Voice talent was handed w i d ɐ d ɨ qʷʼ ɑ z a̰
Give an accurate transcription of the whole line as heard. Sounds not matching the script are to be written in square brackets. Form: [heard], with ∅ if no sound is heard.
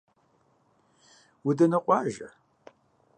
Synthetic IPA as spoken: w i d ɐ [n] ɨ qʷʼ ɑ [ʒ] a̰